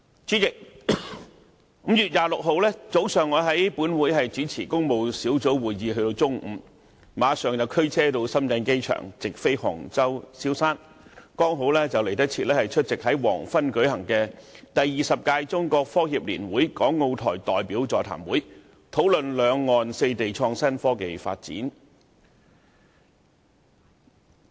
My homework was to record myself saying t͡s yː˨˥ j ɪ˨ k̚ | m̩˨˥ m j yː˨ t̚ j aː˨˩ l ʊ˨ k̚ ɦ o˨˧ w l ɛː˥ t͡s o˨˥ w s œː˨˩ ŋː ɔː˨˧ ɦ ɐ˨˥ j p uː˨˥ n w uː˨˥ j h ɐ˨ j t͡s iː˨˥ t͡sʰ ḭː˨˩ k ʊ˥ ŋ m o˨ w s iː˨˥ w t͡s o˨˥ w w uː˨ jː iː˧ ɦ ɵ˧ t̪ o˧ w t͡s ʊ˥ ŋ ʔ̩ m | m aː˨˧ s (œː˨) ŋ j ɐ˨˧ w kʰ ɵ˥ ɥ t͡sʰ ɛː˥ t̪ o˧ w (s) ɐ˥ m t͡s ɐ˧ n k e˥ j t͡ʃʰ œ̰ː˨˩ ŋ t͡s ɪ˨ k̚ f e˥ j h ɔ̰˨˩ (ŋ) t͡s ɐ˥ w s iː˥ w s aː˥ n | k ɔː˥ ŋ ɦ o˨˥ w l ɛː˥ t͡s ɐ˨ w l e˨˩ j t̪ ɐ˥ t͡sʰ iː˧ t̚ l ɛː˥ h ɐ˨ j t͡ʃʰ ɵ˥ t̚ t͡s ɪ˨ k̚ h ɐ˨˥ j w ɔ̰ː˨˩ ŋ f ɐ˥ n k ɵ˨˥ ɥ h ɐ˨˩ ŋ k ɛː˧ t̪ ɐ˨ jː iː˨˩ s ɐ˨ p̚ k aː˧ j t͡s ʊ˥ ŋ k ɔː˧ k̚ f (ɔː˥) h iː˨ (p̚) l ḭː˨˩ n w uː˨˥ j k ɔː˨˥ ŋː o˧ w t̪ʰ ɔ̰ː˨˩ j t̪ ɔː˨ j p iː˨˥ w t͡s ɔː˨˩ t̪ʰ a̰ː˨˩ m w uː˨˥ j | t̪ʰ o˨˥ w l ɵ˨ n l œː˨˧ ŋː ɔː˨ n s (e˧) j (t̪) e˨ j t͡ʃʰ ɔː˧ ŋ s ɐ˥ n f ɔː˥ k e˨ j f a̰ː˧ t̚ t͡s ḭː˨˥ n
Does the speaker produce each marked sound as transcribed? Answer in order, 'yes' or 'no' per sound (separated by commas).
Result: yes, yes, yes, yes, yes, yes, yes